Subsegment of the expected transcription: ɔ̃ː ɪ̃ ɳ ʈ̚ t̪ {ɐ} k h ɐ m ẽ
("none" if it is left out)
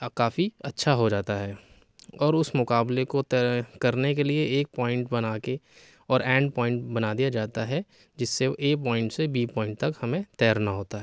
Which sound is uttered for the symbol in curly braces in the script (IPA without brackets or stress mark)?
ɐ